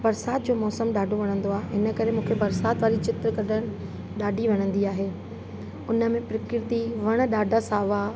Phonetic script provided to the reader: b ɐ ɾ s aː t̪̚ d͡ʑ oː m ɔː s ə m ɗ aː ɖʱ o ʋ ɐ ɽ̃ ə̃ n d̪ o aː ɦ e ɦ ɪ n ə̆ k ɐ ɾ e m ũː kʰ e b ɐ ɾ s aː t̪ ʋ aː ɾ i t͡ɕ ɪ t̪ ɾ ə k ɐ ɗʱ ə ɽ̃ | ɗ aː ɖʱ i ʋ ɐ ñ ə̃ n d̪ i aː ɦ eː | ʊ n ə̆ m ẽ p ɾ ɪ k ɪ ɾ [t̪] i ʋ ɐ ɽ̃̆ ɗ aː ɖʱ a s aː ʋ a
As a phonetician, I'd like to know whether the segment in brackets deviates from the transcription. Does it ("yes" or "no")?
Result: no